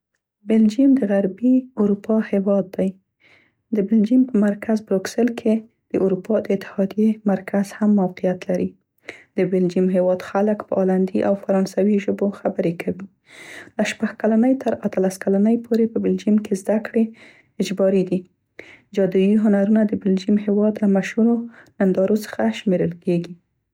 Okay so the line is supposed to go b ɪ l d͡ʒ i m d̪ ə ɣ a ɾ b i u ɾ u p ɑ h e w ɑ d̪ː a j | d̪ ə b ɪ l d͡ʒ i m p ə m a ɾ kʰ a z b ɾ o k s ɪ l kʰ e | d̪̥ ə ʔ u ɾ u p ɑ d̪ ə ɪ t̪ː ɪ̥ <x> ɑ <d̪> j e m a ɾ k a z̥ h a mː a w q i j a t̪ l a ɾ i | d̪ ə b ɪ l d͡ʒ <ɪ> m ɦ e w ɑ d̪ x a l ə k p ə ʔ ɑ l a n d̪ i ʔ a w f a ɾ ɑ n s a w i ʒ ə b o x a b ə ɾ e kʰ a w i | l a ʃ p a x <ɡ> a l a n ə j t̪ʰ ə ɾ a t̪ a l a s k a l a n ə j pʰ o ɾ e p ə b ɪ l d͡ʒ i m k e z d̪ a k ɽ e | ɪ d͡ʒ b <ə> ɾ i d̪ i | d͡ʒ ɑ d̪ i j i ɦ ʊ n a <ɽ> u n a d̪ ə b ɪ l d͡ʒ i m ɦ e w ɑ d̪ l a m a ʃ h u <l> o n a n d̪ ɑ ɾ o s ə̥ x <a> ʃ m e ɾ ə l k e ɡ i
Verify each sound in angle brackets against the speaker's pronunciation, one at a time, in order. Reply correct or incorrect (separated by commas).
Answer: incorrect, correct, incorrect, incorrect, incorrect, incorrect, incorrect, correct